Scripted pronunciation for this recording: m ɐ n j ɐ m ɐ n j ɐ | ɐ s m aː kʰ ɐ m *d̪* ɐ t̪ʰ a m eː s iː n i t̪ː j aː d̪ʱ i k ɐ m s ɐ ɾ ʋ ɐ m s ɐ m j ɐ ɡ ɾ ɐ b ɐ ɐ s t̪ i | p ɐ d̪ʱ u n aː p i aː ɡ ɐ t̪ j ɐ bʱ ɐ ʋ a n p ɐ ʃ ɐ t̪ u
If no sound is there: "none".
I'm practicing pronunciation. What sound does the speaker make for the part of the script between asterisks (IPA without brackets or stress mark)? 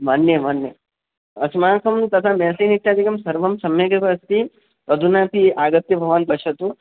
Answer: t̪